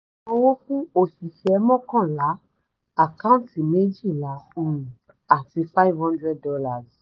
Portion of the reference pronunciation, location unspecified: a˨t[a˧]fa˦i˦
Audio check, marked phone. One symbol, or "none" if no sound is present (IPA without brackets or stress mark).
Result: i˧